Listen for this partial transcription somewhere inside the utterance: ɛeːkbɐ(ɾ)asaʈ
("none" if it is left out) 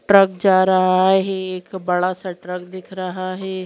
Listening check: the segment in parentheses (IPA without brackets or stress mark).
ɽ